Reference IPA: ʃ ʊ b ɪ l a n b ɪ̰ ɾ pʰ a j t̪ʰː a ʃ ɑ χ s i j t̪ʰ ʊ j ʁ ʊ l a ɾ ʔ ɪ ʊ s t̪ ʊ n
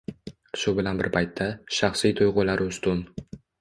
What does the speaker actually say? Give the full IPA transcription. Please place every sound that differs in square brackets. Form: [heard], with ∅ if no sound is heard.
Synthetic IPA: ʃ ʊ b ɪ l a n b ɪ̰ ɾ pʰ a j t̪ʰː a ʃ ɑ χ s i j t̪ʰ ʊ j ʁ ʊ l a ɾ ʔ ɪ ʊ s t̪ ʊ n